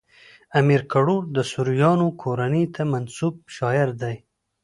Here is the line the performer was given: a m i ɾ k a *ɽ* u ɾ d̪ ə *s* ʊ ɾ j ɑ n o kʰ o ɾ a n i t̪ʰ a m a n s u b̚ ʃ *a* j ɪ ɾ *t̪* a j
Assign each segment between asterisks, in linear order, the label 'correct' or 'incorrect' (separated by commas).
correct, correct, incorrect, incorrect